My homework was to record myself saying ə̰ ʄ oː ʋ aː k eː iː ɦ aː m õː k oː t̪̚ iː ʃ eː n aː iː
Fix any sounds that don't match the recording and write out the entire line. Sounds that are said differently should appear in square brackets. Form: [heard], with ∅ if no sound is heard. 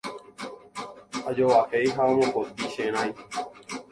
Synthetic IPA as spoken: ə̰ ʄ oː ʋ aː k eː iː ɦ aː m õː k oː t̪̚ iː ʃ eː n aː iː

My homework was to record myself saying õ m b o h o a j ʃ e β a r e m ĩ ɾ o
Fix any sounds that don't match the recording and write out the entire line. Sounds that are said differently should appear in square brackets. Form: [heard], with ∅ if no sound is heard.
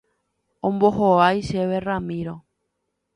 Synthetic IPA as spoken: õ m b o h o a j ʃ e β [e] r [a] m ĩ ɾ o

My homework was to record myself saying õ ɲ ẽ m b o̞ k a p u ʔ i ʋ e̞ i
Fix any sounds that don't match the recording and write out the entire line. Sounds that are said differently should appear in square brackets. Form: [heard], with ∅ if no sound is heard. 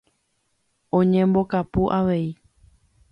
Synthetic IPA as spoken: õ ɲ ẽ m b o̞ k a p u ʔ [a] ʋ e̞ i

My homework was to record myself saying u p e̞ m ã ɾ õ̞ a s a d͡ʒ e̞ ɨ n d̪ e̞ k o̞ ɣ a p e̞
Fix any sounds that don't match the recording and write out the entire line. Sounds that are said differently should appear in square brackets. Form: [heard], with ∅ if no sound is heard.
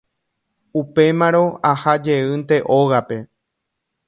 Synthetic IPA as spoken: u p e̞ m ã ɾ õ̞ a [h] a d͡ʒ e̞ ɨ n [t̪] e̞ [ʔ] o̞ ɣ a p e̞

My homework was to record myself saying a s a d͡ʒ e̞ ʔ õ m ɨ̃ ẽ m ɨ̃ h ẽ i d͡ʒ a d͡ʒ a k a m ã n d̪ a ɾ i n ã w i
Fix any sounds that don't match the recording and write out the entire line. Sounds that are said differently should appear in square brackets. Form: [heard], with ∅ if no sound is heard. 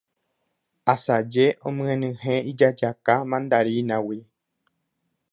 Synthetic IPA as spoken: a s a d͡ʒ e̞ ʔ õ m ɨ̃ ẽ [n] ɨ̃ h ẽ i d͡ʒ a d͡ʒ a k a m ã n d̪ a ɾ i n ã w i

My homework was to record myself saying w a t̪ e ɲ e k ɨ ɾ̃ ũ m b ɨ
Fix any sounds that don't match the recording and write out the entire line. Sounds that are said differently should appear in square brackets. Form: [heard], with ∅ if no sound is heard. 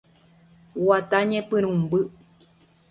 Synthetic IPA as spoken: w a t̪ [a] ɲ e [p] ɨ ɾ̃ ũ m b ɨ

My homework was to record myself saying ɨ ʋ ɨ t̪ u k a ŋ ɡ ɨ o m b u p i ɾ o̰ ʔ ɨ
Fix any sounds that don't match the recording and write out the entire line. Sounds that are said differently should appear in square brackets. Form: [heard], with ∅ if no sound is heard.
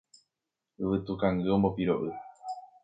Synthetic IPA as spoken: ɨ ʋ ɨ t̪ u k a ŋ ɡ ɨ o m b [o] p i ɾ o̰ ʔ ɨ

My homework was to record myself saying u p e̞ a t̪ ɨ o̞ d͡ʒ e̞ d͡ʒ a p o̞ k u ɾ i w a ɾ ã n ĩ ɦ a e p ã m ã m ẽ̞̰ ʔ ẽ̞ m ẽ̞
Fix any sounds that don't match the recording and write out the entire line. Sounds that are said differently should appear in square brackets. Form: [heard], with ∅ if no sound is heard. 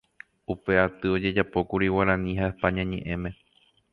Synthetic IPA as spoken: u p e̞ a t̪ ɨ o̞ d͡ʒ e̞ d͡ʒ a p o̞ k u ɾ i w a ɾ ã n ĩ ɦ a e p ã [ɲ] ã [ɲ] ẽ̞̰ ʔ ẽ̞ m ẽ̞

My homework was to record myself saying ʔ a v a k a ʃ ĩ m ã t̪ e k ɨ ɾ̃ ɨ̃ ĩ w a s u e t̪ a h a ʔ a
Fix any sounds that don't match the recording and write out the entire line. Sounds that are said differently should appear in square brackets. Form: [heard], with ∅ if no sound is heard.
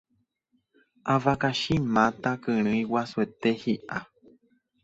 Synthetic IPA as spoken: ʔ a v a k a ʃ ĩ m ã t̪ [a] k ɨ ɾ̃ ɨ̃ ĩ w a s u e t̪ [e] h [i] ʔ a

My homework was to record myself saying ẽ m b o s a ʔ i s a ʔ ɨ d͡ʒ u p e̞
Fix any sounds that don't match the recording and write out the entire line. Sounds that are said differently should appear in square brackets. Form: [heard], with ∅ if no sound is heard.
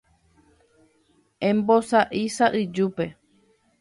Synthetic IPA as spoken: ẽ m b o s a ʔ i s a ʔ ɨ d͡ʒ u p e̞

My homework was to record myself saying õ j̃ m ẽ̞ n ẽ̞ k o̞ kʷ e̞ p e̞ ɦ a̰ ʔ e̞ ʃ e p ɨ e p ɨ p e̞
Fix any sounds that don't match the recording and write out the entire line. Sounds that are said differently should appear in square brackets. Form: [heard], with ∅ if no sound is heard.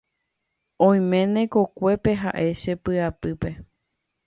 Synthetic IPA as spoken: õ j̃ m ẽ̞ n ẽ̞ k o̞ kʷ e̞ p e̞ ɦ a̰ ʔ e̞ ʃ e p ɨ [a] p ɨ p e̞

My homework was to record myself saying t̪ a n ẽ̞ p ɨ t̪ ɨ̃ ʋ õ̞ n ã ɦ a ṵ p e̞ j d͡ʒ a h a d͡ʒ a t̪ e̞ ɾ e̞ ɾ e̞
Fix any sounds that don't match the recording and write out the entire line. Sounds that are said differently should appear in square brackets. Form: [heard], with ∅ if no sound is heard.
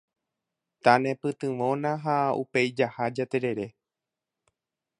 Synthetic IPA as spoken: t̪ a n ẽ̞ p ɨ t̪ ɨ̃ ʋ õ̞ n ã ɦ a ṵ p e̞ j d͡ʒ a h a d͡ʒ a t̪ e̞ ɾ e̞ ɾ e̞

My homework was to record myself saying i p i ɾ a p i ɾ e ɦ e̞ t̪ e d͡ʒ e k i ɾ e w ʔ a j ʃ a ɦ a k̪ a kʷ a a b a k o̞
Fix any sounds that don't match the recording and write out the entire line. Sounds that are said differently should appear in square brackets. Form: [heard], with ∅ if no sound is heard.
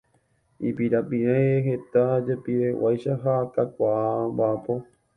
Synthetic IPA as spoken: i p i ɾ a p i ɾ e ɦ e̞ t̪ [a] d͡ʒ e [p] i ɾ e w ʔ a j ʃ a ɦ a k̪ a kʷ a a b a [p] o̞

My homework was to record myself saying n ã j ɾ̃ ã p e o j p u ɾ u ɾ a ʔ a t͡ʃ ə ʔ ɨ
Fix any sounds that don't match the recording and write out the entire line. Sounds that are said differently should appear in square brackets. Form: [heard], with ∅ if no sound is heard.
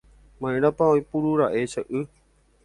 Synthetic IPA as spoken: [m] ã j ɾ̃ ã p [a] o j p u ɾ u ɾ a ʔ [e] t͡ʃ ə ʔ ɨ

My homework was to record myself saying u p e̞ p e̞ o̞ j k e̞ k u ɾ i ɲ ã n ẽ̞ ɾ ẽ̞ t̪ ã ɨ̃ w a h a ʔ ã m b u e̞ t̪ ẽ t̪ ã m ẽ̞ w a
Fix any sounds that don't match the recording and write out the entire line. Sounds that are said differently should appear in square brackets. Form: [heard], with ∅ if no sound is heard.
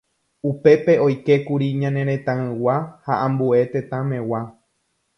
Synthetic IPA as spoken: u p e̞ p e̞ o̞ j k e̞ k u ɾ i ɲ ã n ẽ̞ ɾ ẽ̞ t̪ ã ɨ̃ w a h a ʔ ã m b u e̞ t̪ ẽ t̪ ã m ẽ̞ w a

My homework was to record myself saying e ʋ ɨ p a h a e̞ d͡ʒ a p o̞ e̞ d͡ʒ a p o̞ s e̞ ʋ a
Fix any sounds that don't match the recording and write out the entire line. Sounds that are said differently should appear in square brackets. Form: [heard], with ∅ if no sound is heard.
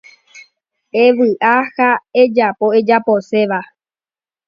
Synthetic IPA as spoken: e ʋ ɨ [ʔ] a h a e̞ d͡ʒ a p o̞ e̞ d͡ʒ a p o̞ s e̞ ʋ a

